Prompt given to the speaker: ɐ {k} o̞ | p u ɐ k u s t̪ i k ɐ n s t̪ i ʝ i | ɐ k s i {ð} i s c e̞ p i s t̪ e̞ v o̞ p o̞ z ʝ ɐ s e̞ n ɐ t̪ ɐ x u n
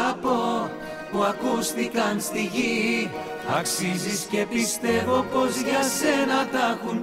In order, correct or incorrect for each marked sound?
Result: incorrect: p, incorrect: z

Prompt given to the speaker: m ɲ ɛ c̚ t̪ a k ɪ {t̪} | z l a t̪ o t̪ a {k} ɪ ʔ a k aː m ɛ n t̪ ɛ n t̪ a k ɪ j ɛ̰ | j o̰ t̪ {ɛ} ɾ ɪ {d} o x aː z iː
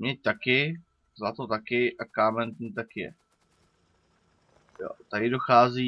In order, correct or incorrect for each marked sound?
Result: incorrect: none, correct, incorrect: a, correct

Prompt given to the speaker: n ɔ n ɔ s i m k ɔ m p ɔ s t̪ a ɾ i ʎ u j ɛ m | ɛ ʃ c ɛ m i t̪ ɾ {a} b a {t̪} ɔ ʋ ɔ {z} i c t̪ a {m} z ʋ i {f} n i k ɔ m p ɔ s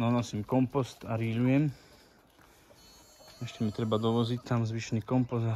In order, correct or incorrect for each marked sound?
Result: incorrect: ɛ, incorrect: d̪, correct, correct, incorrect: ʃ

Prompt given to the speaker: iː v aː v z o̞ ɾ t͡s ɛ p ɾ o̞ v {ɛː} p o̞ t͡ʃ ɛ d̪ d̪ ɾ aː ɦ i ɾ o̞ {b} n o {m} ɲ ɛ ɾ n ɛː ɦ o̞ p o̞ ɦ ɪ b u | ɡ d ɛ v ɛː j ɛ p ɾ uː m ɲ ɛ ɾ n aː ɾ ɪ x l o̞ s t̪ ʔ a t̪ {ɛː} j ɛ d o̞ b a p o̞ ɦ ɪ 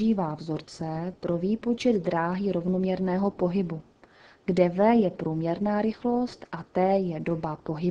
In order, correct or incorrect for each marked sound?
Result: incorrect: iː, incorrect: v, correct, correct

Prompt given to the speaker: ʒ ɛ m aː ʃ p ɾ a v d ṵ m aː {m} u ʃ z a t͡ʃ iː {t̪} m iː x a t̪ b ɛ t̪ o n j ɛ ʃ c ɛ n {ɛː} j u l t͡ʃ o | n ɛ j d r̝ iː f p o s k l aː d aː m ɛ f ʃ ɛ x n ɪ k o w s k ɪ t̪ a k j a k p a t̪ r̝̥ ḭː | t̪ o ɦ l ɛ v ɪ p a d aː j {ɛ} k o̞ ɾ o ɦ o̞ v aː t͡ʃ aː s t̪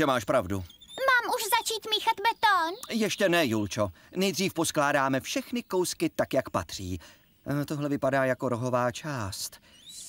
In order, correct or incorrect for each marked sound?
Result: correct, correct, incorrect: ɛ, incorrect: a

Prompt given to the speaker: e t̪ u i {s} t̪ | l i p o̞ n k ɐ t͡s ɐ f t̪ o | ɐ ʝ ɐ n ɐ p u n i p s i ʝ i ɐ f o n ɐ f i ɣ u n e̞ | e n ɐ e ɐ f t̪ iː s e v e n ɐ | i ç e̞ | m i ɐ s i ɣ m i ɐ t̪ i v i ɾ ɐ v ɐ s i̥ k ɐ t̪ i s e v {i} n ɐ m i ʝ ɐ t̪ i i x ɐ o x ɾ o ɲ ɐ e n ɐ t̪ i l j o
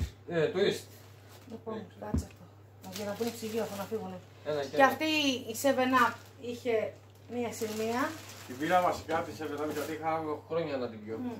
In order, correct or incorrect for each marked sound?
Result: correct, incorrect: e

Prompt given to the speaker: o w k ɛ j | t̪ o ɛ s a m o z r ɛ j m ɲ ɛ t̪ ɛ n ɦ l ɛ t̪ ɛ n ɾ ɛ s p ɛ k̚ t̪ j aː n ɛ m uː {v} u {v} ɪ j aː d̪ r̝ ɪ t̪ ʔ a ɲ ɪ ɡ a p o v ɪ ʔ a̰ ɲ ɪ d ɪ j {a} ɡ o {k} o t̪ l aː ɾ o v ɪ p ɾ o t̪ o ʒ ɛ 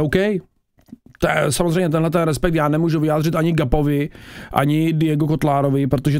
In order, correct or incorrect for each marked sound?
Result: incorrect: ʒ, correct, incorrect: ɛ, correct

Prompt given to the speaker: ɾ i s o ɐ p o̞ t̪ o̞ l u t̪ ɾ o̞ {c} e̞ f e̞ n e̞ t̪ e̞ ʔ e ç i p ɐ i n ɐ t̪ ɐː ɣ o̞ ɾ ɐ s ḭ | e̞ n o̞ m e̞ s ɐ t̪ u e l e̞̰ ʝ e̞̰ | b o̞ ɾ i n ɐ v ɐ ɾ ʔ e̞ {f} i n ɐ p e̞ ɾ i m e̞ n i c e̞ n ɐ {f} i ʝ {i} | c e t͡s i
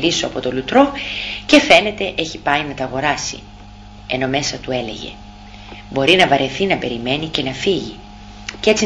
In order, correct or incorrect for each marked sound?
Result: correct, incorrect: θ, correct, correct

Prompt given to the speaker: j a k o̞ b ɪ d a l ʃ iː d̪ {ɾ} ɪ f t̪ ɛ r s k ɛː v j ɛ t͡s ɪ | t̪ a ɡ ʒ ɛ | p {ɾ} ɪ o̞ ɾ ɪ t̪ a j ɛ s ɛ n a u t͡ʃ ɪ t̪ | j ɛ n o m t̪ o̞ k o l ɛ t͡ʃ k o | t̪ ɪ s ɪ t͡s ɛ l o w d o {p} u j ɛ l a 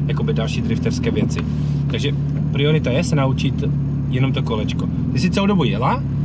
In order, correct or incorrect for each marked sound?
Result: correct, correct, incorrect: b

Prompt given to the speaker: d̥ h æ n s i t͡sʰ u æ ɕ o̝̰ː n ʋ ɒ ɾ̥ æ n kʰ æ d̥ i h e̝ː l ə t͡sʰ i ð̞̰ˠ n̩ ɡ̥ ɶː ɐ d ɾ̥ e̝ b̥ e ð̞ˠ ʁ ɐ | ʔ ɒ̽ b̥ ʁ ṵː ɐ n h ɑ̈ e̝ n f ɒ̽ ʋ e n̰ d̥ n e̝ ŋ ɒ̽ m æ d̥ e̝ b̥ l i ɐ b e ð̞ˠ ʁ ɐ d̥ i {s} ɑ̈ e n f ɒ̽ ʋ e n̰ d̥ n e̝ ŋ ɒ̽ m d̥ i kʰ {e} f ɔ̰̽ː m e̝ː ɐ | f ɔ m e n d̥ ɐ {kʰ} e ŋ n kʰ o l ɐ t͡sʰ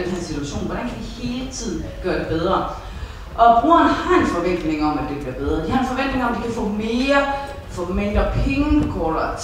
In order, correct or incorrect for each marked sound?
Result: incorrect: h, incorrect: æ, incorrect: pʰ

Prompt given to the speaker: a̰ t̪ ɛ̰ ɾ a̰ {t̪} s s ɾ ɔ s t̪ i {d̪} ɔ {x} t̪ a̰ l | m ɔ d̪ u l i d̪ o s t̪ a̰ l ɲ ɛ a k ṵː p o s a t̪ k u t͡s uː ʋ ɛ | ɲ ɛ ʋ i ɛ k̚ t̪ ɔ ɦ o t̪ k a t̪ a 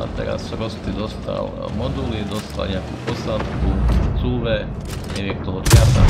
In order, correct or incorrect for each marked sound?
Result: incorrect: none, correct, incorrect: s

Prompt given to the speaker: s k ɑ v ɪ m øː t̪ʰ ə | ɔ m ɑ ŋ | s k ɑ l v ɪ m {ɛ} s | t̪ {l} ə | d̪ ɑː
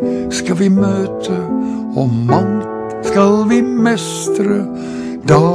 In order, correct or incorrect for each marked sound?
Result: correct, incorrect: ɾ

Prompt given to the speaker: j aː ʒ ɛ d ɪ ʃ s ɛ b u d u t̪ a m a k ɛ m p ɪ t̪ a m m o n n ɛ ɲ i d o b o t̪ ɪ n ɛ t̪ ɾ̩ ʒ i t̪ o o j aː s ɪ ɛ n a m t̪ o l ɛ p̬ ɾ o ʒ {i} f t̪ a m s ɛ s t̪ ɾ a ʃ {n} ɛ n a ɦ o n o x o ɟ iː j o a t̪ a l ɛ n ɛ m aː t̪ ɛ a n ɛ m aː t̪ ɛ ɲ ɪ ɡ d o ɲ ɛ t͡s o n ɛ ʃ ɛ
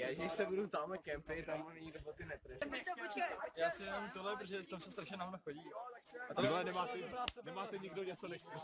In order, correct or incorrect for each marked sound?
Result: incorrect: ɛ, incorrect: ɲ

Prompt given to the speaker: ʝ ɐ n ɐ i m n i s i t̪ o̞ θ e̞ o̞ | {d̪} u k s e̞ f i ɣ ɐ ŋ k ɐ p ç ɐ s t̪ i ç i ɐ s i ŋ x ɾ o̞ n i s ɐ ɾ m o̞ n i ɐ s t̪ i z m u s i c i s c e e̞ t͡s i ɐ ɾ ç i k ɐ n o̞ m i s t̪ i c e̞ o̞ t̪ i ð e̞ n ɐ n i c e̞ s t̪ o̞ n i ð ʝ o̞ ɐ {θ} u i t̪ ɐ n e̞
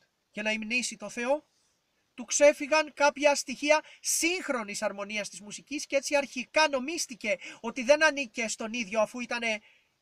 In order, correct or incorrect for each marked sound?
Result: incorrect: t̪, incorrect: f

